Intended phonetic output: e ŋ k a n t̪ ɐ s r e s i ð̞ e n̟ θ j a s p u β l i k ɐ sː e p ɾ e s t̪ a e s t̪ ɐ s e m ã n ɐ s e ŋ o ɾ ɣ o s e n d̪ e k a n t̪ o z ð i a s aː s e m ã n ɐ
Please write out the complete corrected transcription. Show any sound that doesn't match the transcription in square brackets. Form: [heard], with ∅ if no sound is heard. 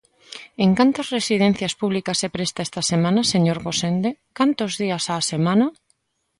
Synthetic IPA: e ŋ k a n t̪ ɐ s r e s i ð̞ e n̟ θ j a s p u β l i k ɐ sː e p ɾ e s t̪ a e s t̪ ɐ s e m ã n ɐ s e [ɲ] o ɾ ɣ o s e n d̪ e k a n t̪ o z ð i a s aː s e m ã n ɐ